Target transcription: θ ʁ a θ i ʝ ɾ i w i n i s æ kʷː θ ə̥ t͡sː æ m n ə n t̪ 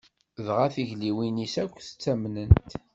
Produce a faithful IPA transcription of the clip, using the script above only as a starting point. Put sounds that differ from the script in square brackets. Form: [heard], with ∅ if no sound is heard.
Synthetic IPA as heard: [ð] ʁ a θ i ʝ [l] i w i n i s æ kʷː θ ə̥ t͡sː æ m n ə n t̪